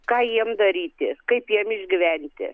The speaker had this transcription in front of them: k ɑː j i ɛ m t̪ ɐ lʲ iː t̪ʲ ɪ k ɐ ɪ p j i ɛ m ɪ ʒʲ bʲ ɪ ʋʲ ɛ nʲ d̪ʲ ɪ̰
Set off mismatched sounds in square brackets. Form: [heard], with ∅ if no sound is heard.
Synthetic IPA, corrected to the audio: k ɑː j i ɛ m [d̪] ɐ [ɾʲ] iː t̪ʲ ɪ k ɐ ɪ p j i ɛ m ɪ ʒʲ [ɡʲ] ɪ ʋʲ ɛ nʲ [t̪ʲ] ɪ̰